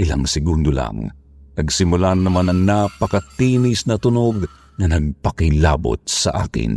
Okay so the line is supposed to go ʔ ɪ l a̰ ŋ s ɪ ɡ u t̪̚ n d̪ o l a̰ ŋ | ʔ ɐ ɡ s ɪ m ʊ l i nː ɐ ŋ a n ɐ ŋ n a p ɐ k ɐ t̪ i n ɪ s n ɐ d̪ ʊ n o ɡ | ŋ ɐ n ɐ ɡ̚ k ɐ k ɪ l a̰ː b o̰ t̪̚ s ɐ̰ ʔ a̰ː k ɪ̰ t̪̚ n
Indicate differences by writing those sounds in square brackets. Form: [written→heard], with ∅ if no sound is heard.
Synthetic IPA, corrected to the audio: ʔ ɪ l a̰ ŋ s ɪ ɡ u [t̪̚→∅] n d̪ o l a̰ ŋ | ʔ ɐ ɡ s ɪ m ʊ l [i→a] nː ɐ [ŋ→m] a n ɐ ŋ n a p ɐ k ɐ t̪ i n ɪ s n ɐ [d̪→t̪] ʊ n o ɡ | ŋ ɐ n ɐ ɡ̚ [k→p] ɐ k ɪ l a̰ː b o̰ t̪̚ s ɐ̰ ʔ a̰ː k ɪ̰ [t̪̚→∅] n